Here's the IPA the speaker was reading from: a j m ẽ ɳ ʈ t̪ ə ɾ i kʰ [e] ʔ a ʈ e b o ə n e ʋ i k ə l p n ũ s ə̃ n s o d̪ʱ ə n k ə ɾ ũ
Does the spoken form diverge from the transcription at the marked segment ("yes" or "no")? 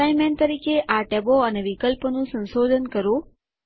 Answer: no